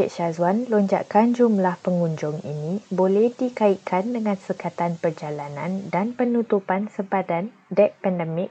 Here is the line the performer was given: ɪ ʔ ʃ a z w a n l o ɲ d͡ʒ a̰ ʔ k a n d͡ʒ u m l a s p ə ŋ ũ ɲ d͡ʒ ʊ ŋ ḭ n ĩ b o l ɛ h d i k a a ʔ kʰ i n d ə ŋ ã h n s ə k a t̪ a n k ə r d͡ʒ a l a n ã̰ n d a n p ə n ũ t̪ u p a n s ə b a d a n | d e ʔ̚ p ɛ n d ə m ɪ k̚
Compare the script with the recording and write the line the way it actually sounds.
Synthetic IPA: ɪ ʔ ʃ a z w a n l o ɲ d͡ʒ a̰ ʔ k a n d͡ʒ u m l a h p ə ŋ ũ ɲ d͡ʒ ʊ ŋ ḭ n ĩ b o l ɛ h d i k a i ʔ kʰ a n d ə ŋ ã n s ə k a t̪ a n p ə r d͡ʒ a l a n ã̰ n d a n p ə n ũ t̪ u p a n s ə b a d a n | d ɛ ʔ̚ p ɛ n d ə m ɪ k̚